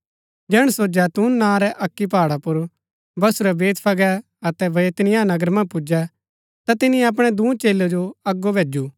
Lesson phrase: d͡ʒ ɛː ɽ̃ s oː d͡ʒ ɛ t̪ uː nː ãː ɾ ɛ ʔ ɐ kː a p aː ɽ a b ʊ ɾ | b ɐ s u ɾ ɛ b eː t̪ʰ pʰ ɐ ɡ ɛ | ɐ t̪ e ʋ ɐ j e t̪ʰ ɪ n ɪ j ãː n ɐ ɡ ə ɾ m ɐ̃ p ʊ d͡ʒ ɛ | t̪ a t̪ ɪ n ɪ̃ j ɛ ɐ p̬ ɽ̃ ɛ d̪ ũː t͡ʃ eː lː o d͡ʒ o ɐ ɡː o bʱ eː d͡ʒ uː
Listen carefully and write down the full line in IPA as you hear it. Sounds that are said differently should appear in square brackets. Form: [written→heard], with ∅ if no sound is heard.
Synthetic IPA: d͡ʒ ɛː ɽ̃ s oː d͡ʒ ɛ t̪ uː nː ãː ɾ ɛ ʔ ɐ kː [a→i] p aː ɽ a [b→p] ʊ ɾ | b ɐ s u ɾ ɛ b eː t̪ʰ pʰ ɐ ɡ ɛ | ɐ t̪ [e→ɛ] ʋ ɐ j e [t̪ʰ→t̪] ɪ n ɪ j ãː n ɐ ɡ ə ɾ m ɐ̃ p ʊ d͡ʒ ɛ | t̪ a t̪ ɪ n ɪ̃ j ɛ ɐ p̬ ɽ̃ ɛ d̪ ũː t͡ʃ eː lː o d͡ʒ o ɐ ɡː o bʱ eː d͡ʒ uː